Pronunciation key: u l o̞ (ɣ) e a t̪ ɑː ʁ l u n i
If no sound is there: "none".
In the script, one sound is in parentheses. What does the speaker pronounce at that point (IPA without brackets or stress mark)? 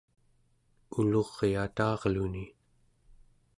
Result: ʁ